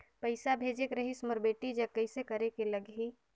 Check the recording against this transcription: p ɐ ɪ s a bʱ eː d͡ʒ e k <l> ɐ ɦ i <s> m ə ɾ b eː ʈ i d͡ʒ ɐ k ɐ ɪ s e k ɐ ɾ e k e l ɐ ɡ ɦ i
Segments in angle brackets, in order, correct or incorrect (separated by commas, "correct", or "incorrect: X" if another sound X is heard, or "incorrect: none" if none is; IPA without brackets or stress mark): incorrect: ɾ, correct